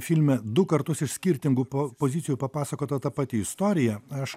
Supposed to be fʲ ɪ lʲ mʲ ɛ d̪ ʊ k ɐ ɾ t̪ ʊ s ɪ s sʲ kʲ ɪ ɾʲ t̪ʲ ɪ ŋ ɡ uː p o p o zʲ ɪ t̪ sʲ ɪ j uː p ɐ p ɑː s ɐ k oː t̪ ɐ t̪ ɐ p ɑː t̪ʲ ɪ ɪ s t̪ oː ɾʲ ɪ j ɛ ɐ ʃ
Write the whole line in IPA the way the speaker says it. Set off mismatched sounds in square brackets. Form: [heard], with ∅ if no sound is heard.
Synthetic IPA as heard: fʲ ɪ lʲ mʲ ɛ d̪ ʊ k ɐ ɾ t̪ ʊ s ɪ [ʃ] sʲ kʲ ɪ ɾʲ t̪ʲ ɪ ŋ ɡ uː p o p o zʲ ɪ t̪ sʲ ɪ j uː p ɐ p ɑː s ɐ k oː t̪ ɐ t̪ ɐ p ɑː t̪ʲ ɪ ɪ s t̪ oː ɾʲ ɪ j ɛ ɐ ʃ